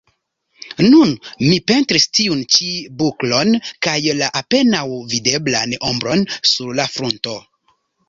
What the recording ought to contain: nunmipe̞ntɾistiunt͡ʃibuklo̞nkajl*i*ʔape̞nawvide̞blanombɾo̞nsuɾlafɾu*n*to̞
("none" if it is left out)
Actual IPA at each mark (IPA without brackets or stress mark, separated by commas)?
a, n